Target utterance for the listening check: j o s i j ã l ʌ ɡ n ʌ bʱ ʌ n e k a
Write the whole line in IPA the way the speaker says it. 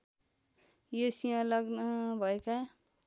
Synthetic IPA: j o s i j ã l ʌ ɡ n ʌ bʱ ʌ e k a